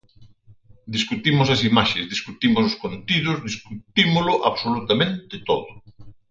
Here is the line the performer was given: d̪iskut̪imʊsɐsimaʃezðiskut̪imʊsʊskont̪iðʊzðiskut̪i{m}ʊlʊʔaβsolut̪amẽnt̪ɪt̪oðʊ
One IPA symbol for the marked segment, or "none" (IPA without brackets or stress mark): m